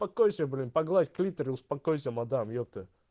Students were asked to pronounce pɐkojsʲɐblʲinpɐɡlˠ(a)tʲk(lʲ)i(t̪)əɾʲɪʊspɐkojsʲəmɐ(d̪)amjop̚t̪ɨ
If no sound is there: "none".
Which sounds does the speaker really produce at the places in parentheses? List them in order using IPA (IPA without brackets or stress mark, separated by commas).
a, lʲ, t̪, d̪